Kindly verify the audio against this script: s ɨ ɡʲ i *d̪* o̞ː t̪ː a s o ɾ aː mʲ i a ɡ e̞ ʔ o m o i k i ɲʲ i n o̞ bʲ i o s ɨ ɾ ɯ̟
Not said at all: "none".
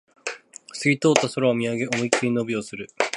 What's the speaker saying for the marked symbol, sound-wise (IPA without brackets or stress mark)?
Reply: t̪